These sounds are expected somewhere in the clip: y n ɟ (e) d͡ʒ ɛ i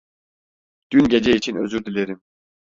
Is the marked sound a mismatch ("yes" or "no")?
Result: no